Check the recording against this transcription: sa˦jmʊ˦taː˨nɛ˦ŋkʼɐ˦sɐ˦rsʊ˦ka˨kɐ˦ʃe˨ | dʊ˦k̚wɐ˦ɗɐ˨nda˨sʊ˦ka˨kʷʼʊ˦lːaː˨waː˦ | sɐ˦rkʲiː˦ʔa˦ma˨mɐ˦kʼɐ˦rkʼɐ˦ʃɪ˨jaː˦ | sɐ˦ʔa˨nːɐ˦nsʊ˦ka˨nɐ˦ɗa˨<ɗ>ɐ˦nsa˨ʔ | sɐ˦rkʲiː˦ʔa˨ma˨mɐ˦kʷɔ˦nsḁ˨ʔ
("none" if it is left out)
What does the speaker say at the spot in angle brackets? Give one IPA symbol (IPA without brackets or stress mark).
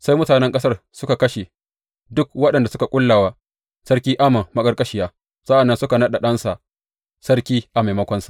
ɗ